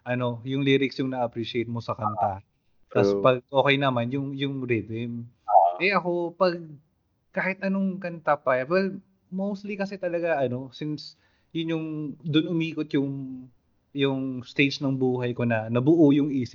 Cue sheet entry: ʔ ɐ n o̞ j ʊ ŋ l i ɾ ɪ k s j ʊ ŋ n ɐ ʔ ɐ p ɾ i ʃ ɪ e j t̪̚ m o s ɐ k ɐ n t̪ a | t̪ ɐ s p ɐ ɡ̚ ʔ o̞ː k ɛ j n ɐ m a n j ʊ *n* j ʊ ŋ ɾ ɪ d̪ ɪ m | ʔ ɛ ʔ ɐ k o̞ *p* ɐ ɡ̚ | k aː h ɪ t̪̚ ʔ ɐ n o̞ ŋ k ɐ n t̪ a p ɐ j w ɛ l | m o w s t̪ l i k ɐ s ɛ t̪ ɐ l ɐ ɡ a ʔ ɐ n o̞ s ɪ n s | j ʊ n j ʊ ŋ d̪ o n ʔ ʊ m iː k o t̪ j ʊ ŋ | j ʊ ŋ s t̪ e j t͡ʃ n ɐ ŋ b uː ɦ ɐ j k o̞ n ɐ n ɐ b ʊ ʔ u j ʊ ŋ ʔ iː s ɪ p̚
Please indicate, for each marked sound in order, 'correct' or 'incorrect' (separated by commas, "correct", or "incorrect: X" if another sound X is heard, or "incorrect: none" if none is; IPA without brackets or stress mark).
incorrect: ŋ, correct